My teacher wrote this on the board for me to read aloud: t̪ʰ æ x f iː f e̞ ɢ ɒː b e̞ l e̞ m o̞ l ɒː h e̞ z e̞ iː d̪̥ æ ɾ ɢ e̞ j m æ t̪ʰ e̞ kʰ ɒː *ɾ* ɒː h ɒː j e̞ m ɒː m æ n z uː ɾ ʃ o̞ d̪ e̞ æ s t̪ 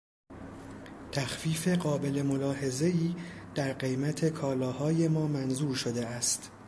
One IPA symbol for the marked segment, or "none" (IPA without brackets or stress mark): l